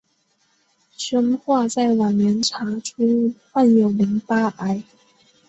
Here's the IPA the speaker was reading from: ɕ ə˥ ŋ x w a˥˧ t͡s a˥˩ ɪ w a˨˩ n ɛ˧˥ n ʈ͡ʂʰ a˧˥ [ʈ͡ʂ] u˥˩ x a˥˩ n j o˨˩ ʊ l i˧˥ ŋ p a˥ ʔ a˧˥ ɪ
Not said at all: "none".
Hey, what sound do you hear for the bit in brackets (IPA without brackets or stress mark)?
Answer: ʈ͡ʂʰ